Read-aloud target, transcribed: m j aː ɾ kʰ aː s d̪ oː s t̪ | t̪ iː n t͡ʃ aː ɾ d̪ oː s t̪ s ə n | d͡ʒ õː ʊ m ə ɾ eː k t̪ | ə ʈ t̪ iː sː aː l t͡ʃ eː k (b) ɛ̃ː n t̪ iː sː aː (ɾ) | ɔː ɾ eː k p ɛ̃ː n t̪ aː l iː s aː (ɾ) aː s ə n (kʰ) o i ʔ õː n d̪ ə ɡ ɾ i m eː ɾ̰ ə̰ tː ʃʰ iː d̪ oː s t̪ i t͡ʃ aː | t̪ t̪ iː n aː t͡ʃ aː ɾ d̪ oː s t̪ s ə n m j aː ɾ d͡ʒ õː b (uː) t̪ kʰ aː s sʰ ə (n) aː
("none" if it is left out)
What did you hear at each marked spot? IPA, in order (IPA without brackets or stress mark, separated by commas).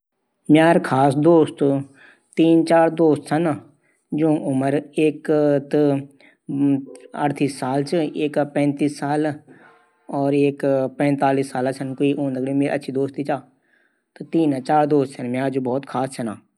p, l, l, k, ɔː, n